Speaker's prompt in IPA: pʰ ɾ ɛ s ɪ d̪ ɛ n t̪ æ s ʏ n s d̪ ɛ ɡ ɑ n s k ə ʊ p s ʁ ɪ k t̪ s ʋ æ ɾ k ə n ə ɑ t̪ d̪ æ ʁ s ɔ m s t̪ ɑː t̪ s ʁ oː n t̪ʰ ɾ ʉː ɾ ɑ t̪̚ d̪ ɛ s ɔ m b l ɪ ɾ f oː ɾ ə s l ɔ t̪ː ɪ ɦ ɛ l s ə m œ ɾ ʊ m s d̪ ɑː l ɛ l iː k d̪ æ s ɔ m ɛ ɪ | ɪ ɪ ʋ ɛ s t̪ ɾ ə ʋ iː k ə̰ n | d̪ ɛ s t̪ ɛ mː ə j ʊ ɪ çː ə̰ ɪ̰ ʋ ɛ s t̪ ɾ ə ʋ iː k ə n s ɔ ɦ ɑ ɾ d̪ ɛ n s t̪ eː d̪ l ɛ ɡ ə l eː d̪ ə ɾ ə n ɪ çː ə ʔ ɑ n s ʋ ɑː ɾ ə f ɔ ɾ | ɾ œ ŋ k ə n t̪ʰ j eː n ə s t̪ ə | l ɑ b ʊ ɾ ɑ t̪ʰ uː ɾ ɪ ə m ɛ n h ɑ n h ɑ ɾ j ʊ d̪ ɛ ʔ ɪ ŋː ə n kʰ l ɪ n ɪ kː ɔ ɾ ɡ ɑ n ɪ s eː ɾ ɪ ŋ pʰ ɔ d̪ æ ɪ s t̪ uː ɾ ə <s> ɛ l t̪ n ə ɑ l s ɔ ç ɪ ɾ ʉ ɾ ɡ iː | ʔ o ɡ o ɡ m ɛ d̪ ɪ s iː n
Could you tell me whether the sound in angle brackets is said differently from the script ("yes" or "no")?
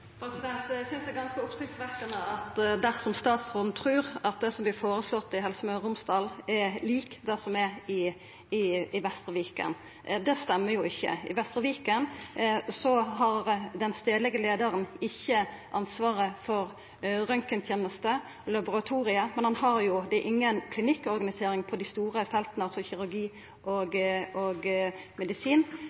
yes